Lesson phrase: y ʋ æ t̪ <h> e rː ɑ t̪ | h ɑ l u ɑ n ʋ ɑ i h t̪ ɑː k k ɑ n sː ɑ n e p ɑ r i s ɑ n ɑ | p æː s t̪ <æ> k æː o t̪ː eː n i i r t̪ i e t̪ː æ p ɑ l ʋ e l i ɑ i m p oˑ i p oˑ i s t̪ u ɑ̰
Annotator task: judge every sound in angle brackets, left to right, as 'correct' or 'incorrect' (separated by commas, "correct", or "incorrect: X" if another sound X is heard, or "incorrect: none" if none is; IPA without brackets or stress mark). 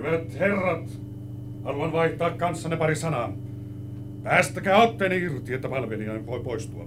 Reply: correct, correct